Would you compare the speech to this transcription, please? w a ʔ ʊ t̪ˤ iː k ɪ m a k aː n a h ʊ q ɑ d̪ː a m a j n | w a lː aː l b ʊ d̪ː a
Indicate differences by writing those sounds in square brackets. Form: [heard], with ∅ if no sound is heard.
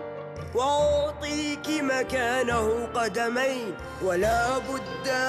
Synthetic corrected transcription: w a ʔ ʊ t̪ˤ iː k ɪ m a k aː n a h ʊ q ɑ [d̪] a m a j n | w a [l] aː [∅] b ʊ d̪ː a